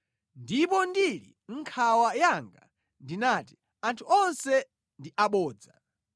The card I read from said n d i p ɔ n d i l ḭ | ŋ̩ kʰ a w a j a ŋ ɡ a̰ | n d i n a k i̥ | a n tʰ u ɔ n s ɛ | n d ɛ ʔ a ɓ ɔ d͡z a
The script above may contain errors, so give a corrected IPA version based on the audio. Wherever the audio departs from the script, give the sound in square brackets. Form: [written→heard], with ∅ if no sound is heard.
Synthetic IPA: n d i p ɔ n d i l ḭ | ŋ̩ kʰ a w a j a ŋ ɡ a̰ | n d i n a [k→t] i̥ | a n tʰ u ɔ n s ɛ | n d [ɛ→i] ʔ a ɓ [ɔ→ɔː] d͡z a